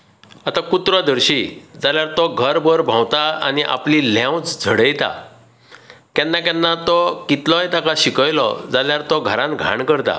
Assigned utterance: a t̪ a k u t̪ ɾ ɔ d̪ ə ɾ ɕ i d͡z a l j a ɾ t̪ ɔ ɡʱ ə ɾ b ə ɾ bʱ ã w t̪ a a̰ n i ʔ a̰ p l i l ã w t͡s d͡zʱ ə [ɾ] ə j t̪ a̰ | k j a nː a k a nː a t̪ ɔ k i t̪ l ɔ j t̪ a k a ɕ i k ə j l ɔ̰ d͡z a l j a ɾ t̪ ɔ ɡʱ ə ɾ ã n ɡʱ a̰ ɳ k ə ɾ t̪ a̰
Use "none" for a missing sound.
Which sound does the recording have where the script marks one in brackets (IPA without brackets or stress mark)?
ɽ